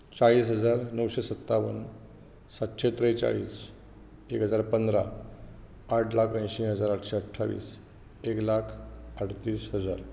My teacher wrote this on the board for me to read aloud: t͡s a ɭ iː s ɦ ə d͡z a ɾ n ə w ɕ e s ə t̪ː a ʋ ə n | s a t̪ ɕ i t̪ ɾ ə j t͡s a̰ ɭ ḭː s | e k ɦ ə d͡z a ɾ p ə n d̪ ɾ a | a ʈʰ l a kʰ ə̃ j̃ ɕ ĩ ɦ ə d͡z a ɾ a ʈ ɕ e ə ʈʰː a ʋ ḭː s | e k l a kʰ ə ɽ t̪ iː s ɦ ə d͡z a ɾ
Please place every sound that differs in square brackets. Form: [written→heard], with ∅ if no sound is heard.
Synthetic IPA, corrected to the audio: t͡s a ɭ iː s ɦ ə d͡z a ɾ n ə w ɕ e s ə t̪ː a ʋ ə n | s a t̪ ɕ [i→e] t̪ ɾ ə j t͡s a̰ ɭ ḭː s | e k ɦ ə d͡z a ɾ p ə n d̪ ɾ a | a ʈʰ l a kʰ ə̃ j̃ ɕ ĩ ɦ ə d͡z a ɾ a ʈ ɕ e ə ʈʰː a ʋ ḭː s | e k l a kʰ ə ɽ t̪ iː s ɦ ə d͡z a ɾ

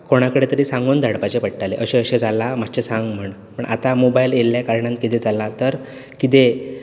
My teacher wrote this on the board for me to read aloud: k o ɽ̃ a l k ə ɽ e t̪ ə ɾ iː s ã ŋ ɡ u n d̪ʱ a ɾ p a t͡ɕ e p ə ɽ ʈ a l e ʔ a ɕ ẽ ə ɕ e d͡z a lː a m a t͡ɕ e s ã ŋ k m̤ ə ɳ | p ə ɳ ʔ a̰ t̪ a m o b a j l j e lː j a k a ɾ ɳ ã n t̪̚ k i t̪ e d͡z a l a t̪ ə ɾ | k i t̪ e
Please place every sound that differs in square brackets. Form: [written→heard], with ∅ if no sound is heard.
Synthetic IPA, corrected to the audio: k o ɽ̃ a [l→∅] k ə ɽ e t̪ ə ɾ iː s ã ŋ ɡ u n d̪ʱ a [ɾ→ɽ] p a t͡ɕ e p ə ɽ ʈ a l e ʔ [a→ə] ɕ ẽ ə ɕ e d͡z a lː a m a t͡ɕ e s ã ŋ [k→ɡ] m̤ ə ɳ | p ə ɳ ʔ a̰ t̪ a m o b a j l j e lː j a k a ɾ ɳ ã n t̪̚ k i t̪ e d͡z a l a t̪ ə ɾ | k i t̪ e

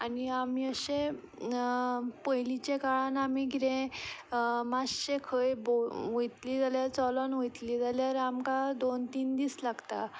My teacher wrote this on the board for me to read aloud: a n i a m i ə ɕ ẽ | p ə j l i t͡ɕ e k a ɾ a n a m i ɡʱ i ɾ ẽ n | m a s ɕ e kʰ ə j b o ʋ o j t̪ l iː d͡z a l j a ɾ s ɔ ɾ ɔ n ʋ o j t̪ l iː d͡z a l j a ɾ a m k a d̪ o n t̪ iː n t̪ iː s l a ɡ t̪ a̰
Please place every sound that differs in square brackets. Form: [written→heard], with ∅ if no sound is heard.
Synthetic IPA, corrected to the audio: a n i a m i ə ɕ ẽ | p ə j l i t͡ɕ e k a [ɾ→ɭ] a n a m i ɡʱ i ɾ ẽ [n→∅] | m a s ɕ e kʰ ə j b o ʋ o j t̪ l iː d͡z a l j a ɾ [s→t͡s] ɔ [ɾ→l] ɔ n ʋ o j t̪ l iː d͡z a l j a ɾ a m k a d̪ o n t̪ iː n [t̪→d̪] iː s l a ɡ t̪ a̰

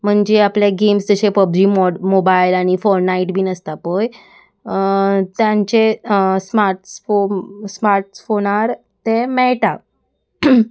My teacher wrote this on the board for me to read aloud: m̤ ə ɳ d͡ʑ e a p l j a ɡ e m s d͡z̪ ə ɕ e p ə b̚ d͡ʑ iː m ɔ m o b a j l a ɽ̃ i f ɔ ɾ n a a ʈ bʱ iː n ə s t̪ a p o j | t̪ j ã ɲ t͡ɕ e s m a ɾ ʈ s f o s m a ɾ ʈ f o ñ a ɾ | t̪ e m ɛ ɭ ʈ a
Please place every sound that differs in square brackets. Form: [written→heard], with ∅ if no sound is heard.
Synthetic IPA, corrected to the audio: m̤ ə ɳ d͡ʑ e a p l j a ɡ e m s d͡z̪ ə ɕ e p ə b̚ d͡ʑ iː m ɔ m o b a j l a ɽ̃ i f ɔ ɾ n a [a→i] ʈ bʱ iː n ə s t̪ a p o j | t̪ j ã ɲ t͡ɕ e s m a ɾ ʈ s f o s m a ɾ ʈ f o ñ a ɾ | t̪ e m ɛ ɭ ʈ a

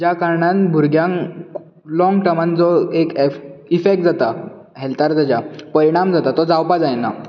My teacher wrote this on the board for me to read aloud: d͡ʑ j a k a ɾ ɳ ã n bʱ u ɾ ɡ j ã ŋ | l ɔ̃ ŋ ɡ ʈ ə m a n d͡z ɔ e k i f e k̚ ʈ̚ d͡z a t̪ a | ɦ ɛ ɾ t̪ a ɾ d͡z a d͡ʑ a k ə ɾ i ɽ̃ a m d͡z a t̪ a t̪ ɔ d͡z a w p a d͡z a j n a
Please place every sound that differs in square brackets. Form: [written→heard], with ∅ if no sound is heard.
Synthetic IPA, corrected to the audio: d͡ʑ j a k a ɾ ɳ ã n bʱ u ɾ ɡ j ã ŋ | l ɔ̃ ŋ ɡ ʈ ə m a n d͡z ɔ e k i f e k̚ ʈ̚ d͡z a t̪ a | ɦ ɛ [ɾ→l] t̪ a ɾ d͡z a d͡ʑ a [k→p] ə ɾ i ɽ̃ a m d͡z a t̪ a t̪ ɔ d͡z a w p a d͡z a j n a

